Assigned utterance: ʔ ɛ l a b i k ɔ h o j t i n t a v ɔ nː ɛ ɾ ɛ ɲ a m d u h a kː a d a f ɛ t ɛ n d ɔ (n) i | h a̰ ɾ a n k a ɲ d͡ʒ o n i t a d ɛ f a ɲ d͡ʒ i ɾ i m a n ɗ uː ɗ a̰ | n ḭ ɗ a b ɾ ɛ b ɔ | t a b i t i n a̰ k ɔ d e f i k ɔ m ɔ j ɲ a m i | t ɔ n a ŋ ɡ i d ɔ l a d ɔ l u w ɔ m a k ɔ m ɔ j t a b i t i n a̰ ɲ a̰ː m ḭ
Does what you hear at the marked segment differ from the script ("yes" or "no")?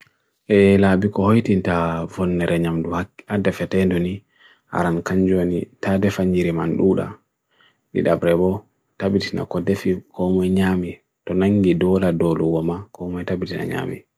no